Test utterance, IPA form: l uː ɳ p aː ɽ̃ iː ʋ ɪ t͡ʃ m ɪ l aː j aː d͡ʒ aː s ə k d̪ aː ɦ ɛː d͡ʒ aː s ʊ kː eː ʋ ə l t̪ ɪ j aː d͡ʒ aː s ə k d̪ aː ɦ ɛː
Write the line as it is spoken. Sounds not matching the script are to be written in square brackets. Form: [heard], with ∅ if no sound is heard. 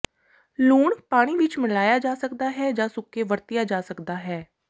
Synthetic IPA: l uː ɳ p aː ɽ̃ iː ʋ ɪ t͡ʃ m ɪ l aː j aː d͡ʒ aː s ə k d̪ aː ɦ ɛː d͡ʒ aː s ʊ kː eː ʋ ə [ɾ] t̪ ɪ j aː d͡ʒ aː s ə k d̪ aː ɦ ɛː